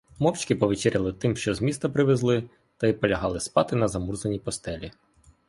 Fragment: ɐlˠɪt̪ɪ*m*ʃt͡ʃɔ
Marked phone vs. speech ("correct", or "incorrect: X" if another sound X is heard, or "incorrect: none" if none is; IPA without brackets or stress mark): correct